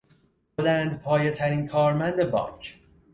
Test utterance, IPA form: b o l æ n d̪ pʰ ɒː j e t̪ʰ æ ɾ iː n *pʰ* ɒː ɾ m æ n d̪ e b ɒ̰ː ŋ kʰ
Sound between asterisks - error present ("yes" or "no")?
yes